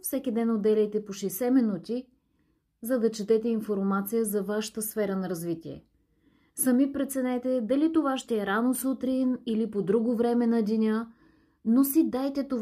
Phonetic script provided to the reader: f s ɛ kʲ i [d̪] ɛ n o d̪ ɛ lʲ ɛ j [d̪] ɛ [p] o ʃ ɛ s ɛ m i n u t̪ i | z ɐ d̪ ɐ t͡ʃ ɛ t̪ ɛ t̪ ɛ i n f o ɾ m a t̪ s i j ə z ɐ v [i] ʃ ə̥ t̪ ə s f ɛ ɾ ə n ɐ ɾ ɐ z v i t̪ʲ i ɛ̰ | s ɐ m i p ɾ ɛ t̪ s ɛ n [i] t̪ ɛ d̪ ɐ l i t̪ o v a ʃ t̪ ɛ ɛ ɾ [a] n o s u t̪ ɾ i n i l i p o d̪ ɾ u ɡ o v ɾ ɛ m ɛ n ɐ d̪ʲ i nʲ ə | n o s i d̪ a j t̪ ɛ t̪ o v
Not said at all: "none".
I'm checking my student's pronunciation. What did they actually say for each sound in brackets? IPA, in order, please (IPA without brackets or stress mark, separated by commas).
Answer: d̪, t̪, p, a, ɛ, a